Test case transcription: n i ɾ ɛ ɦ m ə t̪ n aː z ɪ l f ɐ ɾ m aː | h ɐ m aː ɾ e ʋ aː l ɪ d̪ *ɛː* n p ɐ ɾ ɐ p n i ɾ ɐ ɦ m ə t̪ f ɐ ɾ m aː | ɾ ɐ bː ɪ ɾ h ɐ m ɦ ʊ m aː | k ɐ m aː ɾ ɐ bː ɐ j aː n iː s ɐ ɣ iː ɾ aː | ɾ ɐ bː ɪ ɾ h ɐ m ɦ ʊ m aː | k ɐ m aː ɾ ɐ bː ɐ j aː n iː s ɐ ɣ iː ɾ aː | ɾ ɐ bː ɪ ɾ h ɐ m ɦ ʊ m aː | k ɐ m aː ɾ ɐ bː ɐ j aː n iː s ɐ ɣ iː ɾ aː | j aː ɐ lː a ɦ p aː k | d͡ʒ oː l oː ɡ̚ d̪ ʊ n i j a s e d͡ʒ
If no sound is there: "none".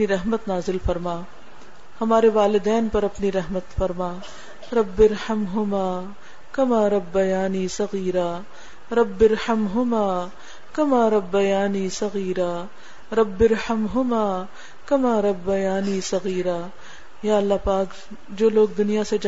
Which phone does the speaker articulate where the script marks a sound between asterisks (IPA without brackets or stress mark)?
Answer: ɛː